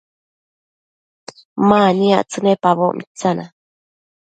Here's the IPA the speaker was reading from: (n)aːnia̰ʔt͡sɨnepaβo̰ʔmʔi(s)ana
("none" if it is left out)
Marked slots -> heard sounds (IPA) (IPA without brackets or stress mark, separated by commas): m, t͡s